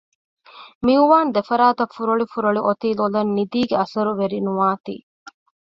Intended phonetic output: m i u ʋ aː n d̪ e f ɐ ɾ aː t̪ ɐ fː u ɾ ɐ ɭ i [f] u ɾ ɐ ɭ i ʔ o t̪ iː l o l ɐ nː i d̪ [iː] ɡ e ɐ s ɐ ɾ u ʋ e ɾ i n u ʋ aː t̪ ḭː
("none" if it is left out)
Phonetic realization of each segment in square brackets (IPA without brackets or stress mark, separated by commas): f, iː